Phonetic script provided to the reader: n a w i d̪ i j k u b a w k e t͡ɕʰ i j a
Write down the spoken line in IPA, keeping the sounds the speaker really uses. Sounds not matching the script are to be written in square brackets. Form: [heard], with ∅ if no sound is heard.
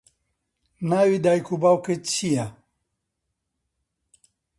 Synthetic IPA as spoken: n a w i d̪ [a] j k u b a w k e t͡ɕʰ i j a